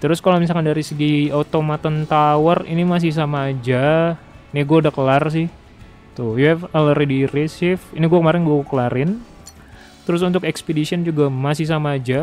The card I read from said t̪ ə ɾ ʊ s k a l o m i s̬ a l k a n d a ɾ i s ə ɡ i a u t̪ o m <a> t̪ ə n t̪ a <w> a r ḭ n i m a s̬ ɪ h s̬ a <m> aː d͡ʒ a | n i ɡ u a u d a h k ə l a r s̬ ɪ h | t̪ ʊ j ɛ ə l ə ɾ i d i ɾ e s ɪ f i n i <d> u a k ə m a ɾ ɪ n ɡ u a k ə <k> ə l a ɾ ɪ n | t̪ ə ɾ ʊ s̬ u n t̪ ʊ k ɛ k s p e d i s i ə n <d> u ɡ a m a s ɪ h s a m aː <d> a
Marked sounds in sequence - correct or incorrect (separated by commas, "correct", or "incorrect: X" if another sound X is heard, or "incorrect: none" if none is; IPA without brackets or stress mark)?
correct, correct, correct, incorrect: ɡ, correct, incorrect: d͡ʒ, incorrect: d͡ʒ